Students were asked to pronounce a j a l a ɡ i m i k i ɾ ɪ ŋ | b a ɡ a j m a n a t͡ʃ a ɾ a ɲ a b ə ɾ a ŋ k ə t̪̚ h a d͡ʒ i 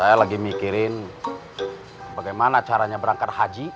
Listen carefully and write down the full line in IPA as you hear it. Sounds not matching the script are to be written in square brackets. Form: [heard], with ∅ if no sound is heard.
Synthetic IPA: a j a l a ɡ i m i k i ɾ ɪ [n] | b a ɡ a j m a n a t͡ʃ a ɾ a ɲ a b ə ɾ a ŋ k [a] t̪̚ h a d͡ʒ i